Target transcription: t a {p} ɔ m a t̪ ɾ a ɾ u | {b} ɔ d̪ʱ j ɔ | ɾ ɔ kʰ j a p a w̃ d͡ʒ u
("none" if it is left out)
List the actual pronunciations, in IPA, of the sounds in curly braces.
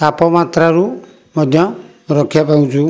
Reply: p, m

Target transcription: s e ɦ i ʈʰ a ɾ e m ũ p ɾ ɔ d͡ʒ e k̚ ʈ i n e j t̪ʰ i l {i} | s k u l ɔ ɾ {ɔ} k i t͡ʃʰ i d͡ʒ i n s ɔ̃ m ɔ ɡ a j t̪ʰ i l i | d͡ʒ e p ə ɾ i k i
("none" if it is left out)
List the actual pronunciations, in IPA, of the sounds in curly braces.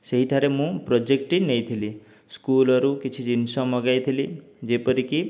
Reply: i, u

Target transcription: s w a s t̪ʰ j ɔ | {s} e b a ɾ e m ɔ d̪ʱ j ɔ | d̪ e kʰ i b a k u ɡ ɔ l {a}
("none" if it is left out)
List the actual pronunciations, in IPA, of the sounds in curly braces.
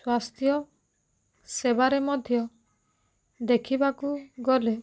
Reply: s, e

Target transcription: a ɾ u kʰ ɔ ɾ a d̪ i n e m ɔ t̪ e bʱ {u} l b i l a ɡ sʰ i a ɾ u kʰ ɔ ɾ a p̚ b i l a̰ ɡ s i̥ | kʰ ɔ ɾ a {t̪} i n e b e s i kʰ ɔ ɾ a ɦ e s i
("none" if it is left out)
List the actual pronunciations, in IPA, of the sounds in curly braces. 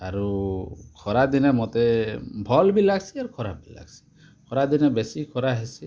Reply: ɔ, d̪

